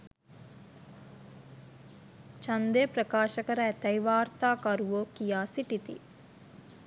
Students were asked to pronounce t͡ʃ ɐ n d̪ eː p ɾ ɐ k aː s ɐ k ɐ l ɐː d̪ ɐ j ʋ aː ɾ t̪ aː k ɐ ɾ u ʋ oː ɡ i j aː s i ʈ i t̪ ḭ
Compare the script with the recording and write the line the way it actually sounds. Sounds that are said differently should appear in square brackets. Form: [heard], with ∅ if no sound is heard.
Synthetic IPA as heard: t͡ʃ ɐ n d̪ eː p ɾ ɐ k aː [ʃ] ɐ k ɐ [ɾ] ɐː [t̪] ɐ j ʋ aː ɾ t̪ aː k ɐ ɾ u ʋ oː [k] i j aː s i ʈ i t̪ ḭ